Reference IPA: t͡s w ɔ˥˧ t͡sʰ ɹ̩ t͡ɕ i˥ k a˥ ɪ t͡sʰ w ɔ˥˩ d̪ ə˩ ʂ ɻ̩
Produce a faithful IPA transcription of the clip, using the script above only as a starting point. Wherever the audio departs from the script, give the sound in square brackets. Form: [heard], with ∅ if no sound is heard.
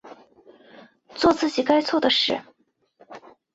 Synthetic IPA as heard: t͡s w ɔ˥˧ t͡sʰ ɹ̩ t͡ɕ [i˨˩] k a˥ ɪ t͡sʰ w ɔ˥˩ d̪ ə˩ ʂ ɻ̩